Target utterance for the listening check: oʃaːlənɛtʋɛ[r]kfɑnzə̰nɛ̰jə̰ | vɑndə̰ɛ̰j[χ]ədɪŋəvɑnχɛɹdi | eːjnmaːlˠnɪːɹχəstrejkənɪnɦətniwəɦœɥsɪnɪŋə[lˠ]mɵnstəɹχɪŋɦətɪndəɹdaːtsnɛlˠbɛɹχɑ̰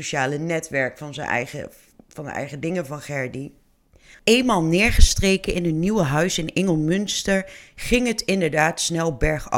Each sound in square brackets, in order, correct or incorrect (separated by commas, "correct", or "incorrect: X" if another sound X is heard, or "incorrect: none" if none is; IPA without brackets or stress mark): incorrect: ɹ, correct, correct